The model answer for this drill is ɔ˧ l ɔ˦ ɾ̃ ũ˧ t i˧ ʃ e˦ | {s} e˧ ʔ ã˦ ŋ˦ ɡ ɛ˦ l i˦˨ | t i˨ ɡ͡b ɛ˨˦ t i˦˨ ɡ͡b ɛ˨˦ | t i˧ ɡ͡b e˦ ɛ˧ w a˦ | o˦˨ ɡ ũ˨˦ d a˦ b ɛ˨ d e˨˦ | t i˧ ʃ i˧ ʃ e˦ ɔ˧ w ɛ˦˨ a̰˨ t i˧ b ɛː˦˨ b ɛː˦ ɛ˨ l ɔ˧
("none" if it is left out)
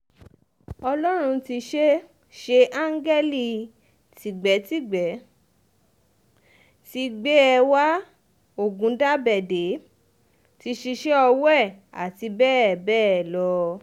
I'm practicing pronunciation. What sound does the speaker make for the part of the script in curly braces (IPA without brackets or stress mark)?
ʃ